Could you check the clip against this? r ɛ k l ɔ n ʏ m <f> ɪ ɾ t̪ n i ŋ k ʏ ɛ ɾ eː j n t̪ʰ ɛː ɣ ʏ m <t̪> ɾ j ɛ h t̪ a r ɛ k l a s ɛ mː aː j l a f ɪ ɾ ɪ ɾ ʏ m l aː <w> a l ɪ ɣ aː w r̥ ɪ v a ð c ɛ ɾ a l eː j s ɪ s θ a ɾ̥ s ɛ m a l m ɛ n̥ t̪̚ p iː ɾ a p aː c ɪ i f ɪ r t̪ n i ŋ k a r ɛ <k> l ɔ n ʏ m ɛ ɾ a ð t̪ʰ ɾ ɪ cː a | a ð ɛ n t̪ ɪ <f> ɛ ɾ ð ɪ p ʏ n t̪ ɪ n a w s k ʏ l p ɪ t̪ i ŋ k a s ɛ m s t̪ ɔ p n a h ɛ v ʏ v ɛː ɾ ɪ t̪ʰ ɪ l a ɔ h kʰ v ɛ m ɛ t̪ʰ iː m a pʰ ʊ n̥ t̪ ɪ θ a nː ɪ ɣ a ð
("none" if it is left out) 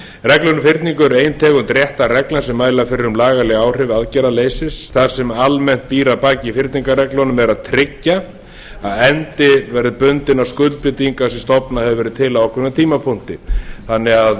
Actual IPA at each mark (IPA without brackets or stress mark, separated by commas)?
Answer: f, t̪, ɣ, k, v